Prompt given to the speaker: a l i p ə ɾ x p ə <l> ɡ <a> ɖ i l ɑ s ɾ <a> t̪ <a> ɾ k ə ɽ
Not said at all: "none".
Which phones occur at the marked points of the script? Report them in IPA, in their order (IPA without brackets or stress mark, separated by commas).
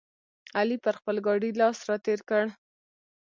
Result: l, ɑ, ɑ, e